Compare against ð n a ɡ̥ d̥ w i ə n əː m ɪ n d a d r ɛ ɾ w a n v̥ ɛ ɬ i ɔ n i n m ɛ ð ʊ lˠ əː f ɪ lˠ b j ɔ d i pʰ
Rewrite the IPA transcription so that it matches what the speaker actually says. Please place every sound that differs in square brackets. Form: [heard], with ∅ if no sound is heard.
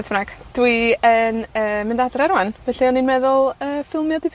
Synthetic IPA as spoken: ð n a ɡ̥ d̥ w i ə n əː m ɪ n d a d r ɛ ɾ w a n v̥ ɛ ɬ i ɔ n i n m ɛ ð ʊ lˠ əː f ɪ lˠ [m] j ɔ d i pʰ